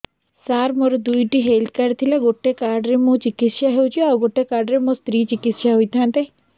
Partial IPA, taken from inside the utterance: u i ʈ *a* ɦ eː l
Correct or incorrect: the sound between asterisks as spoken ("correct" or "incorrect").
incorrect